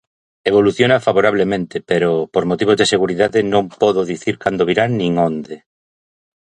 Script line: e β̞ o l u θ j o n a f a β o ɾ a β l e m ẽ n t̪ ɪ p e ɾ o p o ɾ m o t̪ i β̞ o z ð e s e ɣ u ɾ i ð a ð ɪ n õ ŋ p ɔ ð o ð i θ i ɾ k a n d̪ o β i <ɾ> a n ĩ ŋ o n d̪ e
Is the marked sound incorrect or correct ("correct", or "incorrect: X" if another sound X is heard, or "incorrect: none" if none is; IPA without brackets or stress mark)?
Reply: correct